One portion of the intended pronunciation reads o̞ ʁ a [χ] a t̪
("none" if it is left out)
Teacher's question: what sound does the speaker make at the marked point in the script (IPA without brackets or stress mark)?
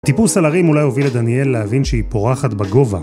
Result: χ